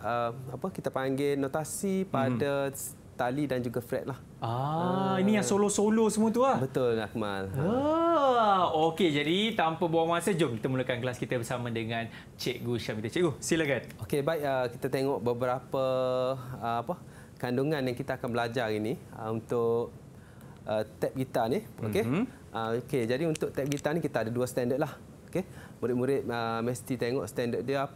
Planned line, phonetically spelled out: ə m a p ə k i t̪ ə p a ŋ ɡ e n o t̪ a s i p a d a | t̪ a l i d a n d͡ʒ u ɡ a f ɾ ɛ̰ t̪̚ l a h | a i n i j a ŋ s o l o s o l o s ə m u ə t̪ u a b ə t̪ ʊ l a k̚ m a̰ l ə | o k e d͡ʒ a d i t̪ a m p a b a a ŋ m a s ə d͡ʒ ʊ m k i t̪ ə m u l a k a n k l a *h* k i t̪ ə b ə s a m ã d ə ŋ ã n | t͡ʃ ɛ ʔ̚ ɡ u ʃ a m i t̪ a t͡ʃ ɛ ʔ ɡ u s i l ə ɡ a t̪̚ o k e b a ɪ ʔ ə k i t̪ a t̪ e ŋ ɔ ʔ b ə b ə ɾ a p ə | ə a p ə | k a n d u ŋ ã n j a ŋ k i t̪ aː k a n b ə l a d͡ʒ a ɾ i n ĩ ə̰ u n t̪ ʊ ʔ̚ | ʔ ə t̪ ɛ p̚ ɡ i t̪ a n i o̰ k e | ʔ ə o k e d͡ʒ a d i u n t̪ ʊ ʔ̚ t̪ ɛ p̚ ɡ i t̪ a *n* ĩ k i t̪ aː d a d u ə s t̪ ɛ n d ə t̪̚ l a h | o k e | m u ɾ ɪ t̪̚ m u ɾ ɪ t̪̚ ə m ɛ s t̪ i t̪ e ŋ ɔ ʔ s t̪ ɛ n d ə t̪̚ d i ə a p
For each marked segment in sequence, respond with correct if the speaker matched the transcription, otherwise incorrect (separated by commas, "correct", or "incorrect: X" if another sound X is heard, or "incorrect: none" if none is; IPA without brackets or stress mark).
incorrect: s, correct